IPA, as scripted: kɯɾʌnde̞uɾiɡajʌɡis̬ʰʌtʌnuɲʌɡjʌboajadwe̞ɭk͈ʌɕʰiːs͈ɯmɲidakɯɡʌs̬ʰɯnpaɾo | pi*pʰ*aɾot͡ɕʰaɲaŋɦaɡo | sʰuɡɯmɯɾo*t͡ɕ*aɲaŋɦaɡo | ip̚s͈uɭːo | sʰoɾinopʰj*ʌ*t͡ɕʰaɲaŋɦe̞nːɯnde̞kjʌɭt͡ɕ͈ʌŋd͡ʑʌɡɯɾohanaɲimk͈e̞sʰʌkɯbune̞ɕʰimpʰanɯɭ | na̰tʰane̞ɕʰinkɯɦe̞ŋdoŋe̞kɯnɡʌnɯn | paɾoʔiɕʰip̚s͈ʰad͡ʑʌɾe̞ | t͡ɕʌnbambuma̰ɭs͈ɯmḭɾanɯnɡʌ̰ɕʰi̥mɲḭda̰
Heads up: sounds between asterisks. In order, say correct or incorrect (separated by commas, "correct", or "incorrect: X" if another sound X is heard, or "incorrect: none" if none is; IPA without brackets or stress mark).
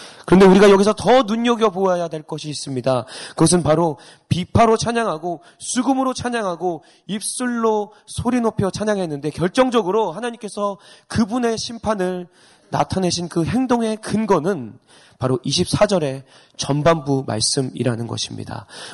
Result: correct, incorrect: t͡ɕʰ, correct